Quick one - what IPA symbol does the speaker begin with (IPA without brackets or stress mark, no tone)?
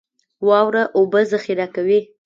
w